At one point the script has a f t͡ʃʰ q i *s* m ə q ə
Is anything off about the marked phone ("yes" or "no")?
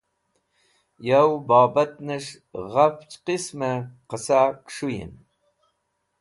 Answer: no